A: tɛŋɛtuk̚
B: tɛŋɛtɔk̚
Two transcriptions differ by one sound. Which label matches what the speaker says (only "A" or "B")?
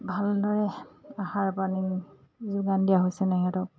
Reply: B